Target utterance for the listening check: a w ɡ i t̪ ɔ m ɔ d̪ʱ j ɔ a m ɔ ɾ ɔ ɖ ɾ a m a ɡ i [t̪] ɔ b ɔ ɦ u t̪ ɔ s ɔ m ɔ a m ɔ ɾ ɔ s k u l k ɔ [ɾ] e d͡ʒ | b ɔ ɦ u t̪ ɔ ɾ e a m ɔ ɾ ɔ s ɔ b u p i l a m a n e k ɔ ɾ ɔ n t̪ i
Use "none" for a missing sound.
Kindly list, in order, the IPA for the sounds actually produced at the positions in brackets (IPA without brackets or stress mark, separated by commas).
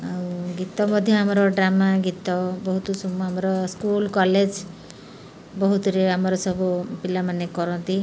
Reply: t̪, l